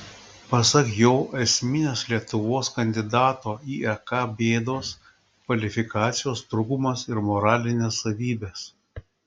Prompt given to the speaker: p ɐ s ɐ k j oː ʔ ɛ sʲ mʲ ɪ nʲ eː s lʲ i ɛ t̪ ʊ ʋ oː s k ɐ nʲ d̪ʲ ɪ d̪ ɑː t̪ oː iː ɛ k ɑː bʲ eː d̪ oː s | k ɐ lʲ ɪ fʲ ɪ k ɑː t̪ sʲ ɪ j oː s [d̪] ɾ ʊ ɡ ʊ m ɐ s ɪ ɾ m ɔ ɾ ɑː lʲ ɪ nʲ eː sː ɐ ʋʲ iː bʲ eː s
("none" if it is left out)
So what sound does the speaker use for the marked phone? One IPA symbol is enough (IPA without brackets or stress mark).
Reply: t̪